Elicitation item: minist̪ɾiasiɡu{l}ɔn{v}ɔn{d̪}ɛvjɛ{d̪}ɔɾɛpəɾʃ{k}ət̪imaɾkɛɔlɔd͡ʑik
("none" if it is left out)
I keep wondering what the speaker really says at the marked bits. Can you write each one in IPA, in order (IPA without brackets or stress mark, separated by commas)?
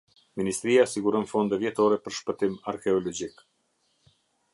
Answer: ɾ, f, d̪, t̪, p